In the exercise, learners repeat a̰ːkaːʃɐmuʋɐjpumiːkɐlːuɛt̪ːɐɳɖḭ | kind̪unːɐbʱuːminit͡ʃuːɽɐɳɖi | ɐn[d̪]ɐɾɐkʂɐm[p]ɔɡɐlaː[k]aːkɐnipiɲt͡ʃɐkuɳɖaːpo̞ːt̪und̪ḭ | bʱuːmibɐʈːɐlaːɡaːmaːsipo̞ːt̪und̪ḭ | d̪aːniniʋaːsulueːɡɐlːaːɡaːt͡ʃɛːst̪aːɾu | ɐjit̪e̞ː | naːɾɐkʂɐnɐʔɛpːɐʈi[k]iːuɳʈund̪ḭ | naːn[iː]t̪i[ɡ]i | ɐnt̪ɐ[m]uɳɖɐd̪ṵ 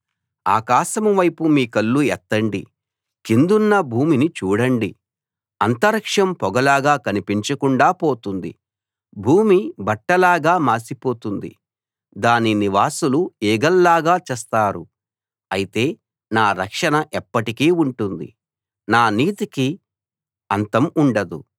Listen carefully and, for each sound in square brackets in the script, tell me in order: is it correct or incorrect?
incorrect, correct, incorrect, correct, correct, incorrect, correct

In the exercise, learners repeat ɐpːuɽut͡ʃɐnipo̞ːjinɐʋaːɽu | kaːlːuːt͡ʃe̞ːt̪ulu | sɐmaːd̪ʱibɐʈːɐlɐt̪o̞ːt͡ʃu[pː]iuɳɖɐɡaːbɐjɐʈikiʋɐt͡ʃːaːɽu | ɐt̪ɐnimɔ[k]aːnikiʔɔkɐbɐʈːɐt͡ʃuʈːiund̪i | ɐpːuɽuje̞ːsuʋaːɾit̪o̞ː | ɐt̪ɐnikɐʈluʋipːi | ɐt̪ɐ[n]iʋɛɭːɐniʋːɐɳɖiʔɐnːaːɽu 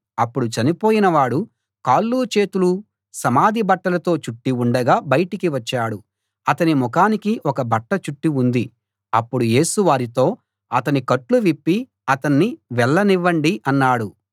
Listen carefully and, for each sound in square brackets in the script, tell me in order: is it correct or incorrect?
incorrect, correct, incorrect

